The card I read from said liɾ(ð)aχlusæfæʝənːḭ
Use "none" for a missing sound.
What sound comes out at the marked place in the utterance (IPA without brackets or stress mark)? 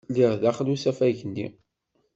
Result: ð